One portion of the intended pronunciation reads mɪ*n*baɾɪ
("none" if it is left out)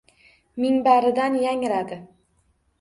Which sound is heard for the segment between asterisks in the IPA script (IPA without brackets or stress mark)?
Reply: ŋ